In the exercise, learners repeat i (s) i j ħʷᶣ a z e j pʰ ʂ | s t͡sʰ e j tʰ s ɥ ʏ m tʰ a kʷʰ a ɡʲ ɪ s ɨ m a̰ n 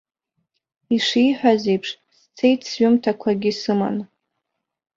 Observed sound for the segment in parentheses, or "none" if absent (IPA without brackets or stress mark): ʂ